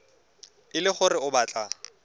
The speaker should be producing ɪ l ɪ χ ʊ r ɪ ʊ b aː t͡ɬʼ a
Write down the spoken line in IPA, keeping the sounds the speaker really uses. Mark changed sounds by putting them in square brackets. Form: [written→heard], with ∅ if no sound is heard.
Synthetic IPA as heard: ɪ l ɪ χ ʊ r ɪ ʊ b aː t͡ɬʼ a